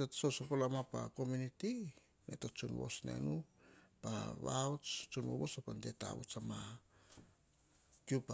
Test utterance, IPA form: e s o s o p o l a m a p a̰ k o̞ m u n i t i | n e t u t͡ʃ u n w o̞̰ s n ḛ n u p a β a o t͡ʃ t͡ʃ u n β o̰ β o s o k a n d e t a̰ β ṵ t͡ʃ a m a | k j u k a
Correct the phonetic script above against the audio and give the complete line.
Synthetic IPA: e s o s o p o l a m a p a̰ k o̞ m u n i t i | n e t o t͡ʃ u n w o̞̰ s n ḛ n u p a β a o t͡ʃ t͡ʃ u n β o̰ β o s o p a n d e t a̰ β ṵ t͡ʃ a m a | k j u p a